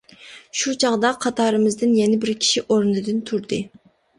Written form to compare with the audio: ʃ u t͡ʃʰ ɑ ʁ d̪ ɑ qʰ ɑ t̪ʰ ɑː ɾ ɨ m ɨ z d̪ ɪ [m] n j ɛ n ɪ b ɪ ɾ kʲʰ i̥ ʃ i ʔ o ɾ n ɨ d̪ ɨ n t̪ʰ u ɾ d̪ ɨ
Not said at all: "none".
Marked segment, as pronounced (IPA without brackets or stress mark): none